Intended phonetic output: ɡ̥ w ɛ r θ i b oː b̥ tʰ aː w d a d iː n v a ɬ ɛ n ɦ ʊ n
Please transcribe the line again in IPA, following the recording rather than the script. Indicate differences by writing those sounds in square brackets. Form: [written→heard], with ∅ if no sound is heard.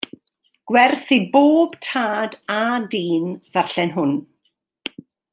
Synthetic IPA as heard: ɡ̥ w ɛ r θ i b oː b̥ tʰ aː [w→∅] d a d iː n v a ɬ ɛ n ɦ ʊ n